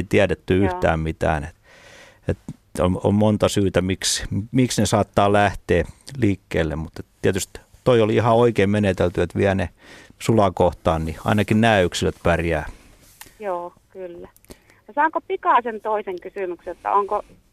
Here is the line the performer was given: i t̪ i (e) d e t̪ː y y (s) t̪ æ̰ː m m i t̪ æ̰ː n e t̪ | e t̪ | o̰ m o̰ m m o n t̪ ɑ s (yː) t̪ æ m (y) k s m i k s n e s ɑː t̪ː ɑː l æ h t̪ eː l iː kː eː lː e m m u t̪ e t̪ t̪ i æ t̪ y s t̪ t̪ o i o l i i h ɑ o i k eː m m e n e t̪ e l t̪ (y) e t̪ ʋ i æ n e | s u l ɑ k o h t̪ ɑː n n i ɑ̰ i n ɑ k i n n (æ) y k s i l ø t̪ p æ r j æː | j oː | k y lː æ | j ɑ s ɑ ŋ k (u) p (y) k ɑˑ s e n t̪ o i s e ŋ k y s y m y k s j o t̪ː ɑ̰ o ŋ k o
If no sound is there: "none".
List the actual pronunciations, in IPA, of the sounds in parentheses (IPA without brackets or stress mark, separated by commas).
æ, h, yː, i, y, æː, o, i